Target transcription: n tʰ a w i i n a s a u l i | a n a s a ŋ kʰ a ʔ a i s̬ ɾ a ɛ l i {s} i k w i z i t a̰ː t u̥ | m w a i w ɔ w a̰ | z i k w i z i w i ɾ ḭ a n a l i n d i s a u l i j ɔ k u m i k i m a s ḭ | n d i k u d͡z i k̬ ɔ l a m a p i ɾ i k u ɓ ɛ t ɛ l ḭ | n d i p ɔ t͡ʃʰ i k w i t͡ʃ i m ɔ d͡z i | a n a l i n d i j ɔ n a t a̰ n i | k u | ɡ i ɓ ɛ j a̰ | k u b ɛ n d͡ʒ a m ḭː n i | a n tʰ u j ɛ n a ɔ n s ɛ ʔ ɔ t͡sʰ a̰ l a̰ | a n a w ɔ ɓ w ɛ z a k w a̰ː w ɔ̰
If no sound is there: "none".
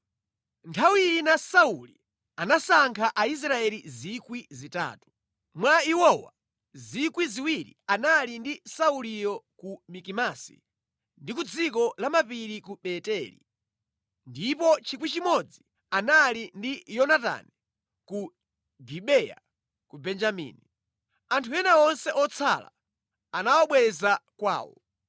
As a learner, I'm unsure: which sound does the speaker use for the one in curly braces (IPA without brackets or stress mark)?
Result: z